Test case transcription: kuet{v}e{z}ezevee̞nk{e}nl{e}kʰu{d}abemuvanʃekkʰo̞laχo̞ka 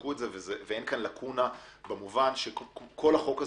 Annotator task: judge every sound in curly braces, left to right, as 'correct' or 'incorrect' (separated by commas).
incorrect, incorrect, incorrect, incorrect, incorrect